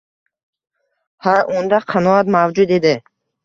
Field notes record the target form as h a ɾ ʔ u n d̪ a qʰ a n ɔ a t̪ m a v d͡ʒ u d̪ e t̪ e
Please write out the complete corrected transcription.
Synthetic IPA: h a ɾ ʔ u n d̪ a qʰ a n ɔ a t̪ m a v d͡ʒ u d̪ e d̪ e